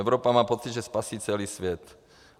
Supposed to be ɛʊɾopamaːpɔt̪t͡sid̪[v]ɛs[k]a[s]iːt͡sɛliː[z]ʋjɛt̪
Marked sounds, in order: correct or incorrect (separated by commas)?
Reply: incorrect, incorrect, correct, incorrect